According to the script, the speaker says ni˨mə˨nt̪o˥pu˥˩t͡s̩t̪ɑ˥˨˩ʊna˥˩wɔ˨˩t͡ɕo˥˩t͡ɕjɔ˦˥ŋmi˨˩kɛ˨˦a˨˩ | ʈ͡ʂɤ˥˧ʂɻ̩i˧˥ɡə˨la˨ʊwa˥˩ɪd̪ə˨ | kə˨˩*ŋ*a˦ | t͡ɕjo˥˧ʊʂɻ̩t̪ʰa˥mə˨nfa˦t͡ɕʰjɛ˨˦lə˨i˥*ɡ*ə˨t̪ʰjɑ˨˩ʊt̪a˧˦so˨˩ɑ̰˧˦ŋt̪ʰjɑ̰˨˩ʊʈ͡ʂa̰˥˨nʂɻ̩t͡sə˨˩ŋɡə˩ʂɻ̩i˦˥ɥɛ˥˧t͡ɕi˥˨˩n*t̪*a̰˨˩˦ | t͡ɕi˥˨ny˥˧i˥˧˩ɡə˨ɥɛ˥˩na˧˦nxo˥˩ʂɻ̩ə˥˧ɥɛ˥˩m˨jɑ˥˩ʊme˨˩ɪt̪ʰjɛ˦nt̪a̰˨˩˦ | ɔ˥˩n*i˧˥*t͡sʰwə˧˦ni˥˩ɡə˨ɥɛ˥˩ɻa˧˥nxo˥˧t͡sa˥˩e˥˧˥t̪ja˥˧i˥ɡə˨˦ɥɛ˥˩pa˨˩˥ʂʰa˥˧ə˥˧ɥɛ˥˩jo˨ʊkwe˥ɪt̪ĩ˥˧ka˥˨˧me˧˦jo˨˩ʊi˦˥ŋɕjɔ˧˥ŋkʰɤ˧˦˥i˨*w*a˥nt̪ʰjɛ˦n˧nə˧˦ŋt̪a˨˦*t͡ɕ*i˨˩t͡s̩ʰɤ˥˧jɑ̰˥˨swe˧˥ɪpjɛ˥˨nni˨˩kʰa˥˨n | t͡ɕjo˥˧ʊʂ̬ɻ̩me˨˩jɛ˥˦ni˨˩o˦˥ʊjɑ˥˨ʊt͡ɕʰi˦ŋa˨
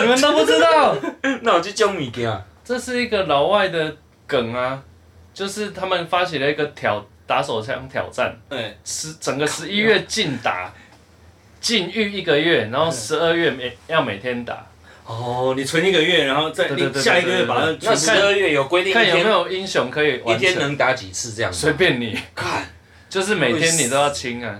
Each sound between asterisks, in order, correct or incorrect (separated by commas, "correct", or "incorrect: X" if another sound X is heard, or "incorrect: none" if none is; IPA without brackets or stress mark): correct, correct, correct, incorrect: i˨˩, correct, correct